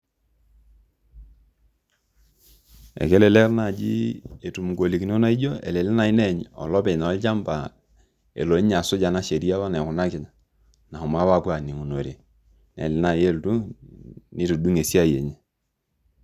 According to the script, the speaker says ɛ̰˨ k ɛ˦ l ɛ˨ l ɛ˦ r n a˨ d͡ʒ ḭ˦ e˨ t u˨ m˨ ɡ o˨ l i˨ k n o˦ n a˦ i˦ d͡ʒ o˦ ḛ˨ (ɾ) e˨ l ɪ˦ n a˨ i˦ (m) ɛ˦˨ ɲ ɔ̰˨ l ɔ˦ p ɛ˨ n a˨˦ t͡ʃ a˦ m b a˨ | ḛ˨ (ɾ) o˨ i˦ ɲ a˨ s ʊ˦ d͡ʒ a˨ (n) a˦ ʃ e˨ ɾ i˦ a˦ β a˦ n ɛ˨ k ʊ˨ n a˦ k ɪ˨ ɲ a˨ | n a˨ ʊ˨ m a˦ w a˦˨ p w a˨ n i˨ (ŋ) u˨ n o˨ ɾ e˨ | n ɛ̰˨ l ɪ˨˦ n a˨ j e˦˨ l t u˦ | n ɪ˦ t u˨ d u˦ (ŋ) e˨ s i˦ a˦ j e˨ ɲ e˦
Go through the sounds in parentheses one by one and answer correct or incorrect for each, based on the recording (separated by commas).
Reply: incorrect, incorrect, incorrect, correct, correct, correct